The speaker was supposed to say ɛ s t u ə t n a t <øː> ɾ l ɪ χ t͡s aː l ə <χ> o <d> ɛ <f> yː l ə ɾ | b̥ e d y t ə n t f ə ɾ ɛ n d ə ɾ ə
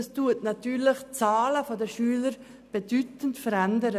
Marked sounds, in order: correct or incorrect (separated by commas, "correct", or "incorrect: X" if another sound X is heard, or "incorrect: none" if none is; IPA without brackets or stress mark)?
incorrect: yː, incorrect: f, correct, incorrect: ʃ